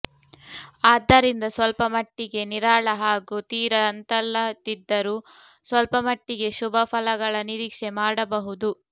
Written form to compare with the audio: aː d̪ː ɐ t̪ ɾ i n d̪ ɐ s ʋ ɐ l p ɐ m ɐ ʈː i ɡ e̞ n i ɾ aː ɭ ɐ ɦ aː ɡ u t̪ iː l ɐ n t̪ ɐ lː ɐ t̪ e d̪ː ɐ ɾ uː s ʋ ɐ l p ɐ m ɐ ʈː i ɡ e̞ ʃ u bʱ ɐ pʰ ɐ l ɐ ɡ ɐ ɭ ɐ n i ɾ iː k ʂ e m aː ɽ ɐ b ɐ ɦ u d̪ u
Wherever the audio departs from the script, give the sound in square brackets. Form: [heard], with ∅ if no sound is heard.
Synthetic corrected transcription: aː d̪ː ɐ [∅] ɾ i n d̪ ɐ s ʋ ɐ l p ɐ m ɐ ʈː i ɡ e̞ n i ɾ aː ɭ ɐ ɦ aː ɡ u t̪ iː [ɾ] ɐ n t̪ ɐ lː ɐ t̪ [i] d̪ː ɐ ɾ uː s ʋ ɐ l p ɐ m ɐ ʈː i ɡ e̞ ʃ u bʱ ɐ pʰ ɐ l ɐ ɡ ɐ ɭ ɐ n i ɾ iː k ʂ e m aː ɽ ɐ b ɐ ɦ u d̪ u

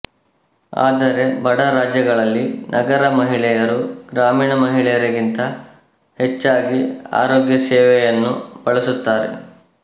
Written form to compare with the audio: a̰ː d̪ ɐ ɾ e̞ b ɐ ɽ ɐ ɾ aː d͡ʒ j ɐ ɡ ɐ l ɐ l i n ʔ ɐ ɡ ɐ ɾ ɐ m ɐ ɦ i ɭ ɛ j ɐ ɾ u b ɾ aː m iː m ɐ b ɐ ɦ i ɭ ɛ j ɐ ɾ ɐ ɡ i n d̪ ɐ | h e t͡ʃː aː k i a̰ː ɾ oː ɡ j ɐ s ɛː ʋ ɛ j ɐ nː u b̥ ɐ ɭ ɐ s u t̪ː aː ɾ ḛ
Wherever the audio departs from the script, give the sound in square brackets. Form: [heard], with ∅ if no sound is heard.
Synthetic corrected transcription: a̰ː d̪ ɐ ɾ e̞ b ɐ ɽ ɐ ɾ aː d͡ʒ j ɐ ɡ ɐ [ɭ] ɐ [lː] i n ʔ ɐ ɡ ɐ ɾ ɐ m ɐ ɦ i ɭ ɛ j ɐ ɾ u [ɡ] ɾ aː m iː [ɳ] ɐ [m] ɐ ɦ i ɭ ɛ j ɐ ɾ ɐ ɡ i n [t̪] ɐ | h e t͡ʃː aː [ɡ] i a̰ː ɾ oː ɡ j ɐ s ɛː ʋ ɛ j ɐ nː u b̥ ɐ ɭ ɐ s u t̪ː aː ɾ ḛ

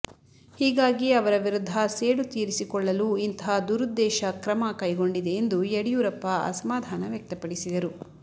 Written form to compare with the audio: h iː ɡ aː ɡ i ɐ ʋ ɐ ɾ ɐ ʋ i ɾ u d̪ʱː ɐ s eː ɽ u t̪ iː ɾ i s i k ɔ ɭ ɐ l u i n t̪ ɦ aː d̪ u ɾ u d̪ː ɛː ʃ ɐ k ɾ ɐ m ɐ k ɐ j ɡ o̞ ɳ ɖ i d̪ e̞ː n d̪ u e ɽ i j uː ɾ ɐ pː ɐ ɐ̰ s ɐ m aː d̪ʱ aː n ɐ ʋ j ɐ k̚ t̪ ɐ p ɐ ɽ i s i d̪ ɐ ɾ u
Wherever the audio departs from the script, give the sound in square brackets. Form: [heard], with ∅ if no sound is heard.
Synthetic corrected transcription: h iː ɡ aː ɡ i ɐ ʋ ɐ ɾ ɐ ʋ i ɾ u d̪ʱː ɐ s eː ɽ u t̪ iː ɾ i s i k ɔ [ɭː] ɐ l u i n t̪ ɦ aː d̪ u ɾ u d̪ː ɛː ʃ ɐ k ɾ ɐ m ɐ k ɐ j ɡ o̞ ɳ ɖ i d̪ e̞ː n d̪ u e ɽ i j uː ɾ ɐ pː ɐ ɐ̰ s ɐ m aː d̪ʱ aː n ɐ ʋ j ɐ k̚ t̪ ɐ p ɐ ɽ i s i d̪ ɐ ɾ u

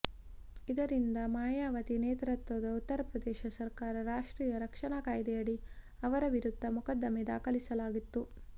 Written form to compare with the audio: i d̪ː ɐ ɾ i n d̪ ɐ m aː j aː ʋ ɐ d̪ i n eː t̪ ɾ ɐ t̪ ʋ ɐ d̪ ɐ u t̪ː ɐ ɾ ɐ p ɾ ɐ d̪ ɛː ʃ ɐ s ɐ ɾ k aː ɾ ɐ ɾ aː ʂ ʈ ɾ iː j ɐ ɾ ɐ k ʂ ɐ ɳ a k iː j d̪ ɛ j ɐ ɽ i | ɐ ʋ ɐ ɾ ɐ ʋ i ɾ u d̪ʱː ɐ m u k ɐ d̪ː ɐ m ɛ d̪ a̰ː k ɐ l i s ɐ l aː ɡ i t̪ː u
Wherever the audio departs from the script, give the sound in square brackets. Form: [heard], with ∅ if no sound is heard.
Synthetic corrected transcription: i [d̪] ɐ ɾ i n d̪ ɐ m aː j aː ʋ ɐ [t̪] i n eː t̪ ɾ ɐ t̪ ʋ ɐ d̪ ɐ u t̪ː ɐ ɾ ɐ p ɾ ɐ d̪ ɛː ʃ ɐ s ɐ ɾ k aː ɾ ɐ ɾ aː ʂ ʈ ɾ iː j ɐ ɾ ɐ k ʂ ɐ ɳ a k [aː] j d̪ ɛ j ɐ ɽ i | ɐ ʋ ɐ ɾ ɐ ʋ i ɾ u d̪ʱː ɐ m u k ɐ d̪ː ɐ m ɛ d̪ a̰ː k ɐ l i s ɐ l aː ɡ i t̪ː u

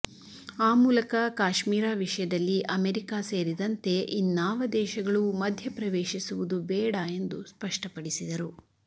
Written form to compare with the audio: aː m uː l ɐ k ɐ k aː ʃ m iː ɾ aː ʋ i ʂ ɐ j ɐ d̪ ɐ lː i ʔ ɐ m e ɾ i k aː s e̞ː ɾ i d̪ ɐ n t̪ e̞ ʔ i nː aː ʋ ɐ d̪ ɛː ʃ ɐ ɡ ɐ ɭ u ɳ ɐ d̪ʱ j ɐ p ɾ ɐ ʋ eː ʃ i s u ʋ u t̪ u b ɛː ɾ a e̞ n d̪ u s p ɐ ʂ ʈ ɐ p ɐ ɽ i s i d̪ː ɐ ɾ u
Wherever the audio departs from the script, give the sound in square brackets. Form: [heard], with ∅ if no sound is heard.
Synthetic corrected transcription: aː m uː l ɐ k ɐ k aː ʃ m iː ɾ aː ʋ i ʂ ɐ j ɐ d̪ ɐ lː i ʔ ɐ m e ɾ i k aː s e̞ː ɾ i d̪ ɐ n t̪ e̞ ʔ i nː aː ʋ ɐ d̪ ɛː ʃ ɐ ɡ ɐ ɭ u [m] ɐ d̪ʱ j ɐ p ɾ ɐ ʋ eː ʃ i s u ʋ u [d̪] u b ɛː [ɽ] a e̞ n d̪ u s p ɐ ʂ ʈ ɐ p ɐ ɽ i s i [d̪] ɐ ɾ u

